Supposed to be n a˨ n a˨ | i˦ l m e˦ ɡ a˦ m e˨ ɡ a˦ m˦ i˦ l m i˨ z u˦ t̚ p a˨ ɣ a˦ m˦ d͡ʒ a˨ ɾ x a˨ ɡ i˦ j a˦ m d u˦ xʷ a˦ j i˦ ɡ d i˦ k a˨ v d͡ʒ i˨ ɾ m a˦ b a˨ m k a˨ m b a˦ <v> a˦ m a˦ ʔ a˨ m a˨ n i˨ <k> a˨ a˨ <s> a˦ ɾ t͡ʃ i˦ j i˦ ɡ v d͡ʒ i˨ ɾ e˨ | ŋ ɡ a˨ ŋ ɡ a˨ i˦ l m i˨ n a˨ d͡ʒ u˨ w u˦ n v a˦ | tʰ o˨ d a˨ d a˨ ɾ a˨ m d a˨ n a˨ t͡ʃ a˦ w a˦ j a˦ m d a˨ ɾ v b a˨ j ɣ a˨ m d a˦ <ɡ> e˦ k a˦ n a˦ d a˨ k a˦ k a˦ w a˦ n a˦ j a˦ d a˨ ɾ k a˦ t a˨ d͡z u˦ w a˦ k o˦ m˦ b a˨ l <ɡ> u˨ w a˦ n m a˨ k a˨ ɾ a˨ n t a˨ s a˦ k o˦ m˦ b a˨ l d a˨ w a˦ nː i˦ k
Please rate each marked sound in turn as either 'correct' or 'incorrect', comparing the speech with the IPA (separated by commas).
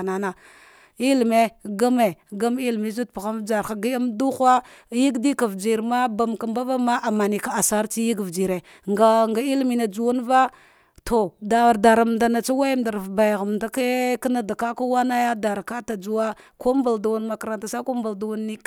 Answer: correct, correct, correct, incorrect, incorrect